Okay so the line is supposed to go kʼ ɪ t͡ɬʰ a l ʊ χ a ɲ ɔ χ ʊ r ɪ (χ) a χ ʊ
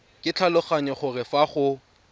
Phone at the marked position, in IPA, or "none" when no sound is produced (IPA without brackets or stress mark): f